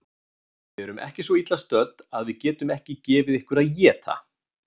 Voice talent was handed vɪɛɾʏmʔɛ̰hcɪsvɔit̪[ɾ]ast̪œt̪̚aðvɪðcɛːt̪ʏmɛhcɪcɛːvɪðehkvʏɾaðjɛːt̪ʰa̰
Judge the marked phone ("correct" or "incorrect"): incorrect